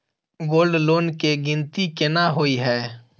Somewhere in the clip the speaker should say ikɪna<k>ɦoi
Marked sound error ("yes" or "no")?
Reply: yes